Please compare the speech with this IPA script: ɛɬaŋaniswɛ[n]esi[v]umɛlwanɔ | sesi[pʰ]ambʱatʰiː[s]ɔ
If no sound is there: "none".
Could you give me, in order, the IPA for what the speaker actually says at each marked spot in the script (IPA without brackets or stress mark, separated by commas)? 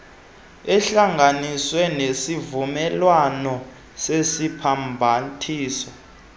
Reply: n, v, pʰ, s